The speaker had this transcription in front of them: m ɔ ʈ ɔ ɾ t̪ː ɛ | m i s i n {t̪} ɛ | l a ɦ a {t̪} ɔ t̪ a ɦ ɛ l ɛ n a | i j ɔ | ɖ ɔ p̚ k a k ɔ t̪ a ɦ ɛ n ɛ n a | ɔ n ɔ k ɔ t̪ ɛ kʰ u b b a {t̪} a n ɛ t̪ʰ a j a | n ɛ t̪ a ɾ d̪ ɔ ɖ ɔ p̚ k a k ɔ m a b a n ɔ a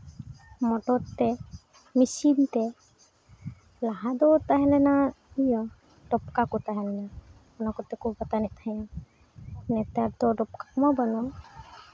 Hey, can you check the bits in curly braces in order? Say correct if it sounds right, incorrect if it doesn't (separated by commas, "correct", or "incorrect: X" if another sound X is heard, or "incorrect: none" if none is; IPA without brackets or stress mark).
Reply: correct, incorrect: d̪, correct